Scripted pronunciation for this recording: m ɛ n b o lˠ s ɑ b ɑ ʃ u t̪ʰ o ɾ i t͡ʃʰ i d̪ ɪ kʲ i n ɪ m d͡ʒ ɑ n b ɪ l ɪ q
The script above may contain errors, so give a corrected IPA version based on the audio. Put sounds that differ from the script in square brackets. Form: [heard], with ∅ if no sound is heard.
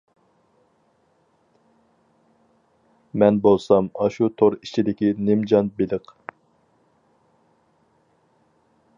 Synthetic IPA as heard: m ɛ n b o lˠ s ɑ [m] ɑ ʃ u t̪ʰ o ɾ i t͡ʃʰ i d̪ ɪ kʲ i n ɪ m d͡ʒ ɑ n b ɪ l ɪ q